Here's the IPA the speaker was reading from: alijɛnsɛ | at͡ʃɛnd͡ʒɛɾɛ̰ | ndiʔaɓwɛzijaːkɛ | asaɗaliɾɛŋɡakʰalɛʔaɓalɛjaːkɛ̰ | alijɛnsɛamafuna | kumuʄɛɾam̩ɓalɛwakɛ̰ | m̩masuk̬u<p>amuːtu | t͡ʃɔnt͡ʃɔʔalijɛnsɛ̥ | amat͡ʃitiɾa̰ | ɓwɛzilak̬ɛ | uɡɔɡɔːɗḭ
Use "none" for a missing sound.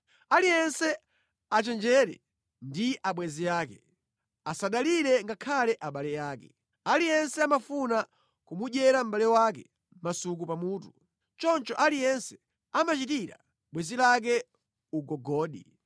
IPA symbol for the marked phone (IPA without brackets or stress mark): p